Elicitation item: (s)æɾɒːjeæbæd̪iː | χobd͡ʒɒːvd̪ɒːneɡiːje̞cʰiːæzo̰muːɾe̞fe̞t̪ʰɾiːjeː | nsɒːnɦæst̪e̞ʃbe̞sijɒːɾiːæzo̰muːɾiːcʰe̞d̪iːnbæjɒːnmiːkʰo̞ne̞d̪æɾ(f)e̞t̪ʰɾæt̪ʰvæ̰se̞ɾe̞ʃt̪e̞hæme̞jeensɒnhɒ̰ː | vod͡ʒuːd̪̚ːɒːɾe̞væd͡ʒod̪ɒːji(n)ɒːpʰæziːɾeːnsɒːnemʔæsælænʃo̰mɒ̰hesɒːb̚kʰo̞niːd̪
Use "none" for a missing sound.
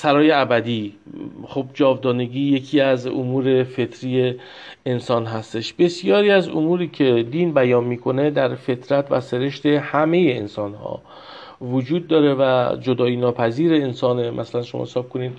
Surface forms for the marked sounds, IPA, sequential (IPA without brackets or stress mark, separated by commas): s, f, n